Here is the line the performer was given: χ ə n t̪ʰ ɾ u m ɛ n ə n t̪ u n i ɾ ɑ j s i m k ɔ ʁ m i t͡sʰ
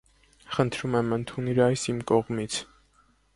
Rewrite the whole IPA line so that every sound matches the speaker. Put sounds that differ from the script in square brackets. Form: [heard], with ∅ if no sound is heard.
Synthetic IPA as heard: χ ə n t̪ʰ ɾ u m ɛ [m] ə n [t̪ʰ] u n i ɾ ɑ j s i m k ɔ ʁ m i t͡sʰ